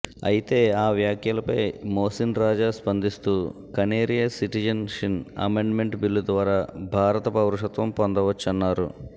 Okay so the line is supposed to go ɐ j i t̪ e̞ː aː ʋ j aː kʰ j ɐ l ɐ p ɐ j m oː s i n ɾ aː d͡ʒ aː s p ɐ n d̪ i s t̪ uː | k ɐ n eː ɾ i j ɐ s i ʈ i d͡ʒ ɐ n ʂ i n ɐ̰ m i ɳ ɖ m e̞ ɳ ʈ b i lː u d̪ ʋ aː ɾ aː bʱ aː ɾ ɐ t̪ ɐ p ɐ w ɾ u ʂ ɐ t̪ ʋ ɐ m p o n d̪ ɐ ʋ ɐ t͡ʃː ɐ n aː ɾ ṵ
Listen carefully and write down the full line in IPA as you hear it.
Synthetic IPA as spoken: ɐ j i t̪ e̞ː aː ʋ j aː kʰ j ɐ l ɐ p ɐ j m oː s i n ɾ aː d͡ʒ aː s p ɐ n d̪ i s t̪ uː | k ɐ n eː ɾ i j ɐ s i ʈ i d͡ʒ ɐ n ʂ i n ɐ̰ m e ɳ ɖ m e̞ ɳ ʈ b i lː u d̪ ʋ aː ɾ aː bʱ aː ɾ ɐ t̪ ɐ p ɐ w ɾ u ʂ ɐ t̪ ʋ ɐ m p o n d̪ ɐ ʋ ɐ t͡ʃː ɐ nː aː ɾ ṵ